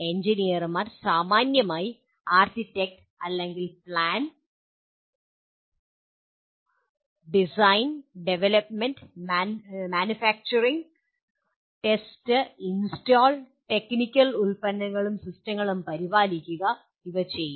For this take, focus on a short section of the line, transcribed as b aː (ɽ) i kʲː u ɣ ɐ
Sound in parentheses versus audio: incorrect: l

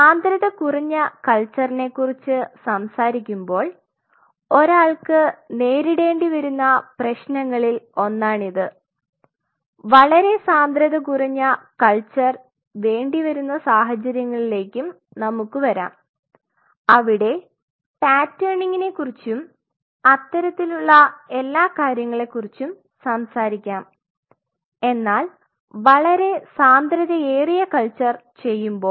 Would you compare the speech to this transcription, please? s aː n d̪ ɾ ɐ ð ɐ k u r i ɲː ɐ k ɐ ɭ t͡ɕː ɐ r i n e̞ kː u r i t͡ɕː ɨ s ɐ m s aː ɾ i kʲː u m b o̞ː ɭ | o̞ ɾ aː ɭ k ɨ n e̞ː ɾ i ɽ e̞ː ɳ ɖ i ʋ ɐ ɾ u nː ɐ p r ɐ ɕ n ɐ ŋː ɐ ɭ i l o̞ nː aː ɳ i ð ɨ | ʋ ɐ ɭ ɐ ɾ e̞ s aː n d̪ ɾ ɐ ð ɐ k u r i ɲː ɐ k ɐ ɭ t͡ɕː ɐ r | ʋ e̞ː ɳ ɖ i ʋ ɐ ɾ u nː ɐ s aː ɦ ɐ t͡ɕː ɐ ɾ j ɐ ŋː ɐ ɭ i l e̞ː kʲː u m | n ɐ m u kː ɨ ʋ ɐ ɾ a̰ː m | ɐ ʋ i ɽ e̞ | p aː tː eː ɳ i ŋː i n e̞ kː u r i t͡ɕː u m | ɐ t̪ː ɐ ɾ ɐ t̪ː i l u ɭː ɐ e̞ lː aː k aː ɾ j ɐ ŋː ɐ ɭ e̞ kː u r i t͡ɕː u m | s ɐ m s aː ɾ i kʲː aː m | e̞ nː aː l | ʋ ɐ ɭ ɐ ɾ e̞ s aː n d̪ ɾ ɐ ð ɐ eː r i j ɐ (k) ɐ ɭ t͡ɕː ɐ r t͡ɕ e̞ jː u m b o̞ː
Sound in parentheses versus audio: correct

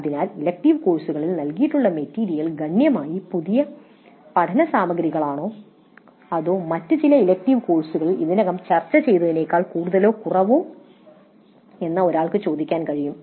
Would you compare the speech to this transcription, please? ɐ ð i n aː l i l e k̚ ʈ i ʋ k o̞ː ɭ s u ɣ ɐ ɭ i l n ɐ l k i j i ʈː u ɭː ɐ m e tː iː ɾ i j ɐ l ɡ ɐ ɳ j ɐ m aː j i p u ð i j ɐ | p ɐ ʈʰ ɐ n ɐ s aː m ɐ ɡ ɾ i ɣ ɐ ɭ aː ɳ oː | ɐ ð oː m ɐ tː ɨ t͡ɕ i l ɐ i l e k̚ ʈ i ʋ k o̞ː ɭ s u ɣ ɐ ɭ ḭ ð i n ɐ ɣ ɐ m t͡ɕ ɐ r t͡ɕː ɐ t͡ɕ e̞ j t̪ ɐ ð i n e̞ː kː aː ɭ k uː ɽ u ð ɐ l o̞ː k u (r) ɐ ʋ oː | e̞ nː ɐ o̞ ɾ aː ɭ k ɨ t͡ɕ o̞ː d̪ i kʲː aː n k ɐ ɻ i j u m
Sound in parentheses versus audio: correct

